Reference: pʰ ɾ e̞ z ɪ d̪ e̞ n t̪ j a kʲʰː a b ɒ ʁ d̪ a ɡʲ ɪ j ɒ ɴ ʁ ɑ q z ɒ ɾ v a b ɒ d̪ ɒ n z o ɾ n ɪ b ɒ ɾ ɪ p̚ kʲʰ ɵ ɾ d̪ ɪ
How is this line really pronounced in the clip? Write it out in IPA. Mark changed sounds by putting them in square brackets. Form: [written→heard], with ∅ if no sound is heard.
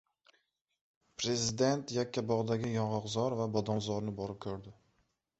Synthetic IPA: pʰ ɾ e̞ z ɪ d̪ e̞ n t̪ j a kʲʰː a b ɒ ʁ d̪ a ɡʲ ɪ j ɒ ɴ ʁ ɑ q z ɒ ɾ v a b ɒ d̪ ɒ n z [o→ɒ] ɾ n ɪ b ɒ ɾ ɪ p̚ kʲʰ ɵ ɾ d̪ ɪ